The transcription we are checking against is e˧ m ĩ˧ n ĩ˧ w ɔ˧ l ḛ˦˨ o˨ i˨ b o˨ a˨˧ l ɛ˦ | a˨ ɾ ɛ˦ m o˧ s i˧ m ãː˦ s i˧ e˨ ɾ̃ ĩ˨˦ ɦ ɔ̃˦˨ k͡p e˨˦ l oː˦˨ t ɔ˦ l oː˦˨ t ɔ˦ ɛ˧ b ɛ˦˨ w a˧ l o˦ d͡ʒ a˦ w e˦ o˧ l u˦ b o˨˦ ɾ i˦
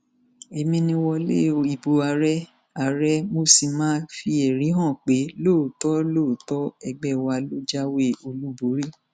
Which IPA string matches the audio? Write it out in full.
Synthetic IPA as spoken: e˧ m ĩ˧ n ĩ˧ w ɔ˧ l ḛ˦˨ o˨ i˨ b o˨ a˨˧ ɾ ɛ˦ | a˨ ɾ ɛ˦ m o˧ s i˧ m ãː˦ f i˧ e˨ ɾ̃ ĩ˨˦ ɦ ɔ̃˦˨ k͡p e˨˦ l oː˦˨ t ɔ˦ l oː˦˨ t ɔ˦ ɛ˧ ɡ͡b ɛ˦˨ w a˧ l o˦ d͡ʒ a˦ w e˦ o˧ l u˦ b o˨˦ ɾ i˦